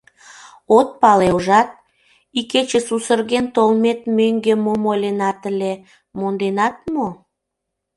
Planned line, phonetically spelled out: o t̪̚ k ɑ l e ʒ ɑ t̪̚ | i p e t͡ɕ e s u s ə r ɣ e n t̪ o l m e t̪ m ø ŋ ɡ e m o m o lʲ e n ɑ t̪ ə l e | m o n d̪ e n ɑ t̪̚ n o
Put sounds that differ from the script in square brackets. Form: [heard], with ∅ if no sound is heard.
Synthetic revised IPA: o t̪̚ [p] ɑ l e ʒ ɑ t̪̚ | i [k] e t͡ɕ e s u s ə r ɣ e n t̪ o l m e t̪ m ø ŋ ɡ e m o m o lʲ e n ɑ t̪ ə l e | m o n d̪ e n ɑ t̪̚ [m] o